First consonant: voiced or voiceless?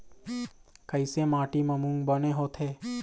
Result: voiceless